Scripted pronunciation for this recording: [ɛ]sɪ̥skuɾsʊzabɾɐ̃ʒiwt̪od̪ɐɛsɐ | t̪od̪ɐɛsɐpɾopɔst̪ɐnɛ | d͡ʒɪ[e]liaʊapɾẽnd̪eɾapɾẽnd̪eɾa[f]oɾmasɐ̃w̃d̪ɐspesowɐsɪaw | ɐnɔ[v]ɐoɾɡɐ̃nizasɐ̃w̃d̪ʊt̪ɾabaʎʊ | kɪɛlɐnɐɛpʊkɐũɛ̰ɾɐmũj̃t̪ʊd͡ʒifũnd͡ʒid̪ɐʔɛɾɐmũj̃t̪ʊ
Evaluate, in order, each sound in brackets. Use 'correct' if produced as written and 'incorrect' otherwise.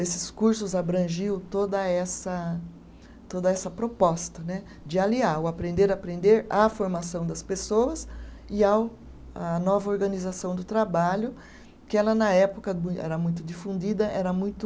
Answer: incorrect: e, incorrect: a, correct, correct

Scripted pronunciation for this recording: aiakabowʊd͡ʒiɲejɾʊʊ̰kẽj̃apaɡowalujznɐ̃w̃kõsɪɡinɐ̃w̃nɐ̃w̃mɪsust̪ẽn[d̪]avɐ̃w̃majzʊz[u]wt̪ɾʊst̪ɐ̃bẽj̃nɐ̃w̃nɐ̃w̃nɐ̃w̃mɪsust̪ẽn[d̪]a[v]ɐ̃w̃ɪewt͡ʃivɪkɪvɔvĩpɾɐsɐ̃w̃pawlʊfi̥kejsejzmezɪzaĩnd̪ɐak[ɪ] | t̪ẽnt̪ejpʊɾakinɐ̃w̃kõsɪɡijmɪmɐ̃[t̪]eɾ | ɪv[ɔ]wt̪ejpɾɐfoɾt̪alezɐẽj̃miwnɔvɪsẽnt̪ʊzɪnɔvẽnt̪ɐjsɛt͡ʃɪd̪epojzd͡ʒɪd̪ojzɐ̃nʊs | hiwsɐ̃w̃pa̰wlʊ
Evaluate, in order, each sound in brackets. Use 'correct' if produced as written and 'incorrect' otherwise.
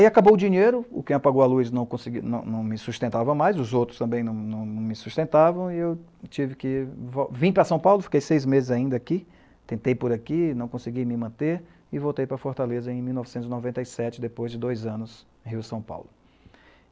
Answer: incorrect: t̪, incorrect: o, incorrect: t̪, correct, incorrect: i, correct, incorrect: o

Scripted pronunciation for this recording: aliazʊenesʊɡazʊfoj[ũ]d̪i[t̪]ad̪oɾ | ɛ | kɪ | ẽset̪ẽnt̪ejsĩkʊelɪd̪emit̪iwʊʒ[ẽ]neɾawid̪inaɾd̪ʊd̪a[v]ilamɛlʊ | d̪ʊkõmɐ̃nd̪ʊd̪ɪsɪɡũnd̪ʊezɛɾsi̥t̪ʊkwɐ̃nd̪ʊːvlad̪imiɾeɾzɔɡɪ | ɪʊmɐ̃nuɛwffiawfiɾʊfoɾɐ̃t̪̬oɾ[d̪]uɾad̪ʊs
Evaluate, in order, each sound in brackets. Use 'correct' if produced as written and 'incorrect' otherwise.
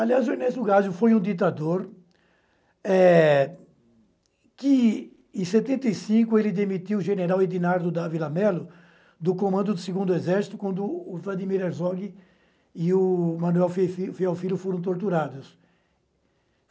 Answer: correct, correct, incorrect: e, correct, incorrect: t̪

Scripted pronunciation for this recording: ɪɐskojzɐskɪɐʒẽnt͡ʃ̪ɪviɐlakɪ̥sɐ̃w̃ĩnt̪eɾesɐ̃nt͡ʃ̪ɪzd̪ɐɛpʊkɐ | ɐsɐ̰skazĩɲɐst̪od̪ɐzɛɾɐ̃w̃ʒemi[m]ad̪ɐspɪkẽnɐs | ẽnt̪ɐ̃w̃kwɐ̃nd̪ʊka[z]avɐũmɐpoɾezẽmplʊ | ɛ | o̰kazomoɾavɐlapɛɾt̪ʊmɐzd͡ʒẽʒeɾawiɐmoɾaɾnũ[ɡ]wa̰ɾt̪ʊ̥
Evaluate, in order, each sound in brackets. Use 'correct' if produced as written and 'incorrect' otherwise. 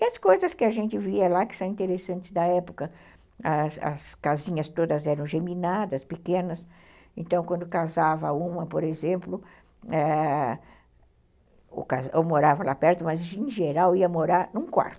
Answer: incorrect: n, correct, incorrect: k

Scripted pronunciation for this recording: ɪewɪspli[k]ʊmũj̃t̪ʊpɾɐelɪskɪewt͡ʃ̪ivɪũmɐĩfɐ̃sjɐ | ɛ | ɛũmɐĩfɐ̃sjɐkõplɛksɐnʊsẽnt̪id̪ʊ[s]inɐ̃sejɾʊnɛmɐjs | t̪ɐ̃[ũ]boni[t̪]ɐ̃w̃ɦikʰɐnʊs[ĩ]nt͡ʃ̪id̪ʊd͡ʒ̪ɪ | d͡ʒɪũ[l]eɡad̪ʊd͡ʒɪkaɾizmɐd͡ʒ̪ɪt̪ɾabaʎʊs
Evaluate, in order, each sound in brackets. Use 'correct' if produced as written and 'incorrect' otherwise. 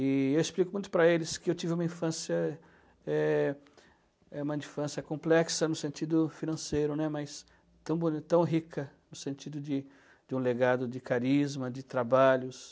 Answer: correct, incorrect: f, incorrect: w̃, correct, incorrect: ẽ, correct

